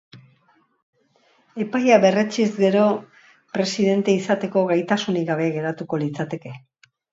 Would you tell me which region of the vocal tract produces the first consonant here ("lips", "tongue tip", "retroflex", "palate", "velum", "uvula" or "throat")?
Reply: lips